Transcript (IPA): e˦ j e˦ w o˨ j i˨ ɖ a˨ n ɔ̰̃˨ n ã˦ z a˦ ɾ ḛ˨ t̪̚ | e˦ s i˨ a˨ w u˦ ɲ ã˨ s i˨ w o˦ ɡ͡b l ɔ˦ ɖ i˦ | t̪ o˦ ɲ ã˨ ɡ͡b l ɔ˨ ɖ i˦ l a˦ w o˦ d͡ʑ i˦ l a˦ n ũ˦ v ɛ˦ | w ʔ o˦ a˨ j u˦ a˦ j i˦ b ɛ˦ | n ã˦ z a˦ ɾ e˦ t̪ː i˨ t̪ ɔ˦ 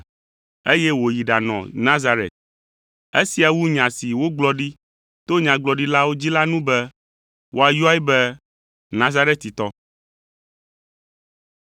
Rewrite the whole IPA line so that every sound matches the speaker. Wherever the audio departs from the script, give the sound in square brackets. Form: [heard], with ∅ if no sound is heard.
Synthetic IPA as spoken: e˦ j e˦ w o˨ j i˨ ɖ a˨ n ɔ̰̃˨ n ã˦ z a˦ ɾ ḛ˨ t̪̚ | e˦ s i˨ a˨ w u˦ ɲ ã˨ s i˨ w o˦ ɡ͡b l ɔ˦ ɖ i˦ | t̪ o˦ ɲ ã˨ ɡ͡b l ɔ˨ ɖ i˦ l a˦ w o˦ d͡ʑ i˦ l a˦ n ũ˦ [b] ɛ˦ | w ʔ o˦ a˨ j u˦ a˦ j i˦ b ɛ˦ | n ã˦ z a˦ ɾ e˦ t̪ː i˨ t̪ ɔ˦